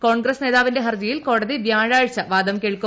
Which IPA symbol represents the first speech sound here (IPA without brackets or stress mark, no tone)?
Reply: k